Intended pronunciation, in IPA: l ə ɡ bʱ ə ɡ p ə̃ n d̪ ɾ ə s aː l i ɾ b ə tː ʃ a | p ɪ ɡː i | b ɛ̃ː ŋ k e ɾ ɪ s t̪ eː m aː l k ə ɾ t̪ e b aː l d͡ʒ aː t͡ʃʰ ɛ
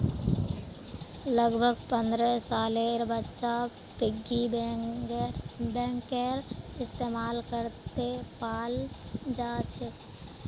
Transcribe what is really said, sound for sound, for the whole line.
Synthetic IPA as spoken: l ə ɡ bʱ ə ɡ p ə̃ n d̪ ɾ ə s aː l e ɾ b ə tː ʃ a | p ɪ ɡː i | b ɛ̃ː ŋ k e ɾ ɪ s t̪ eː m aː l k ə ɾ t̪ e p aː l d͡ʒ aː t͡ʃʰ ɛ